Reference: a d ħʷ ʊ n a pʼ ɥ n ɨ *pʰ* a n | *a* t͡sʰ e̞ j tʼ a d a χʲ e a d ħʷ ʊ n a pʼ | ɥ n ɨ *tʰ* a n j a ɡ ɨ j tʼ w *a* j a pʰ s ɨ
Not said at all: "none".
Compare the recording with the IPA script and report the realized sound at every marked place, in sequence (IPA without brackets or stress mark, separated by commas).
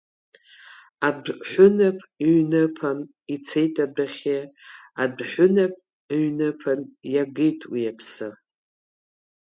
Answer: pʰ, i, pʰ, i